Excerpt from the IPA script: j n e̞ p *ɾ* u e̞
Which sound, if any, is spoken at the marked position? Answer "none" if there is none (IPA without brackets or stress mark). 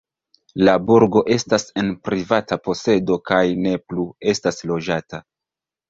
l